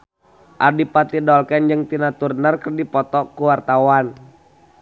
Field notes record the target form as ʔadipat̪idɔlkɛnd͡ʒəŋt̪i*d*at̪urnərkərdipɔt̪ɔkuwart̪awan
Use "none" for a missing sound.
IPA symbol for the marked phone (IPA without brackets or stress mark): n